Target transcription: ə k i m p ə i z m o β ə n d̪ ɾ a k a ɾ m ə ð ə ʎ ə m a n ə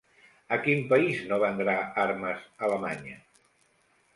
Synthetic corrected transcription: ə k i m p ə i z n o β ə n d̪ ɾ a a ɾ m ə z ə l ə m a ɲ ə